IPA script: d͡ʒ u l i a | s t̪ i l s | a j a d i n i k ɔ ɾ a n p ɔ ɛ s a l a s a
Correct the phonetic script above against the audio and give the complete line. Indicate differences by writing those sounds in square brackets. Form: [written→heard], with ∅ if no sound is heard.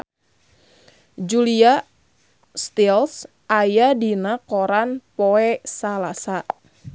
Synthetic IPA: d͡ʒ u l i a | s t̪ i l s | a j a d i n [i→a] k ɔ ɾ a n p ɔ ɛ s a l a s a